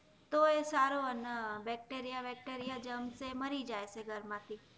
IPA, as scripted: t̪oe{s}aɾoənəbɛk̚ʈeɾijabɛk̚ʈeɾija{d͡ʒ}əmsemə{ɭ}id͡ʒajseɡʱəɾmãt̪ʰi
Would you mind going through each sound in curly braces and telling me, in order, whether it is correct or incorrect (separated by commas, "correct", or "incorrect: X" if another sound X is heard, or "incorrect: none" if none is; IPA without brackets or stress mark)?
correct, correct, incorrect: ɾ